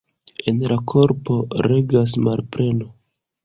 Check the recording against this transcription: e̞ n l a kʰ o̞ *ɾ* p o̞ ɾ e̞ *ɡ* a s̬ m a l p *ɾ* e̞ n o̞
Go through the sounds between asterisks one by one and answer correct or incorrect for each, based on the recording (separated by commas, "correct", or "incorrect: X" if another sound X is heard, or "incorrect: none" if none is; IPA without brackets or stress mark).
correct, correct, correct